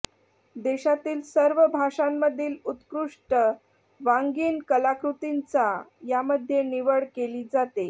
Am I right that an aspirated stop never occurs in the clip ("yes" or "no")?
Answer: yes